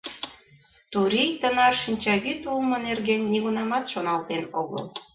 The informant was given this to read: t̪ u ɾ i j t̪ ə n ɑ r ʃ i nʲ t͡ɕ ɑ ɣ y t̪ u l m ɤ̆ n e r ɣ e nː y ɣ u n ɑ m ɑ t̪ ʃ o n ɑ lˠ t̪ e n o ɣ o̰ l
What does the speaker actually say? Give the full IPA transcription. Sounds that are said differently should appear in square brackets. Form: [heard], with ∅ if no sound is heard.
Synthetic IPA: t̪ u ɾ i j t̪ ə n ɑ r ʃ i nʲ t͡ɕ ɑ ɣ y t̪ u l m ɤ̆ n e r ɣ e nː [i] ɣ u n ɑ m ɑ t̪ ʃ o n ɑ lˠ t̪ e n o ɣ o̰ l